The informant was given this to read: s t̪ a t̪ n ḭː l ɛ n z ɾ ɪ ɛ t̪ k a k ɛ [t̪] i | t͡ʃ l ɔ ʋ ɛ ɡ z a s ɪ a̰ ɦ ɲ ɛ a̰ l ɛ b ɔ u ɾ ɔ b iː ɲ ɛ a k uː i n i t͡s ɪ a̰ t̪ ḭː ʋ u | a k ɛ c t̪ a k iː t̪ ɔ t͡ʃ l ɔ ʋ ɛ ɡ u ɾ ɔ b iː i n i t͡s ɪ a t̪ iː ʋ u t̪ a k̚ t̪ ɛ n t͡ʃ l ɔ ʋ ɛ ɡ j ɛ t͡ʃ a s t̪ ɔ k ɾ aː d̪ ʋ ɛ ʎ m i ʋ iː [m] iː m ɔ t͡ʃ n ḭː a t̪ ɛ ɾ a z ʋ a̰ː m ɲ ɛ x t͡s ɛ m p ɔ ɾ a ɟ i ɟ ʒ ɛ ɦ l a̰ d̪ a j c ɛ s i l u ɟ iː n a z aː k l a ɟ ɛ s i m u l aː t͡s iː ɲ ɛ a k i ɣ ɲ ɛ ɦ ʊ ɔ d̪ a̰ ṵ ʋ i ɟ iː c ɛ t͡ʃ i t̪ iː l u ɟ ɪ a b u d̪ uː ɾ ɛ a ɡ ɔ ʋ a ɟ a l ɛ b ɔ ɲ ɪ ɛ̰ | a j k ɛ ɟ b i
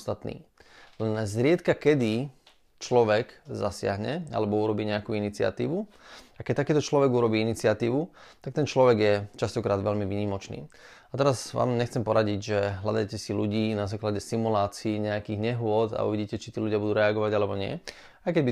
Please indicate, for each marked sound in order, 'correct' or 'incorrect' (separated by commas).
incorrect, incorrect